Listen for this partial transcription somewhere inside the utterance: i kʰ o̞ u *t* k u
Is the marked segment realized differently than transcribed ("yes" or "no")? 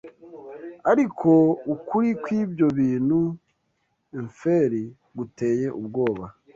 yes